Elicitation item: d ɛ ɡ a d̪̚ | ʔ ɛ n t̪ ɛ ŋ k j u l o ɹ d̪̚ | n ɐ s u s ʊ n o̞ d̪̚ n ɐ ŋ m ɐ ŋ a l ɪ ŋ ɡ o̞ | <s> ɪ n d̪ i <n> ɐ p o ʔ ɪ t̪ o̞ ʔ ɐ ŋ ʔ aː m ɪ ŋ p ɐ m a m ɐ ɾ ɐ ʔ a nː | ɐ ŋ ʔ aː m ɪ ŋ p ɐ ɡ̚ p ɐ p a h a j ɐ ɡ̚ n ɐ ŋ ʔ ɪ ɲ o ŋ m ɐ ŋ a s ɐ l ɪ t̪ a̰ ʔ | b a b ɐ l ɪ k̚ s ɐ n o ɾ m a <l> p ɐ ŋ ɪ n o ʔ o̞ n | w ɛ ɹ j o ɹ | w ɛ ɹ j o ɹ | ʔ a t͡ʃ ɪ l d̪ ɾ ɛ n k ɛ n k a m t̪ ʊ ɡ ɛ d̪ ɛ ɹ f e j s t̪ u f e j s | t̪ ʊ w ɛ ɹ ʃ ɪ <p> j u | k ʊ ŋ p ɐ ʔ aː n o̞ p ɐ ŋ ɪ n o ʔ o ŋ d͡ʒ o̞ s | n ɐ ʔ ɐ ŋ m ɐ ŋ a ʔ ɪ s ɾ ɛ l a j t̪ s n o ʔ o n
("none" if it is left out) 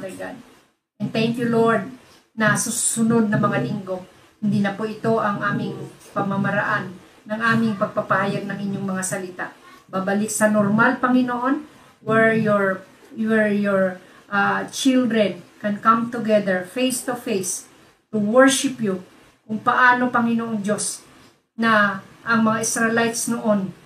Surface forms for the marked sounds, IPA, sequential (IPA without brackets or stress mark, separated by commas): h, n, l, p